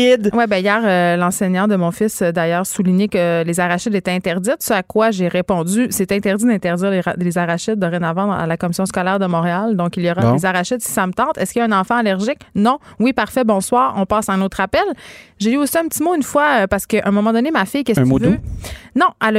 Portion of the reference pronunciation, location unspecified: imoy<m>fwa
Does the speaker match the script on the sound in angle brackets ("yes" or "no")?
no